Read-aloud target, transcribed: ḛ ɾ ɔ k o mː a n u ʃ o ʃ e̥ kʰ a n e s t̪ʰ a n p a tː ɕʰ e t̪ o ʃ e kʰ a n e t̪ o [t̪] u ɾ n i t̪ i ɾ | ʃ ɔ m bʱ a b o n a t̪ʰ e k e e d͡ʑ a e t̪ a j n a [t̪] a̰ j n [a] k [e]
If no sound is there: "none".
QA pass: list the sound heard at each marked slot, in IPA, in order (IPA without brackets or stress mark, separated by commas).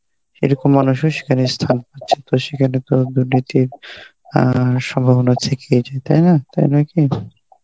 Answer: d̪, t̪, a, i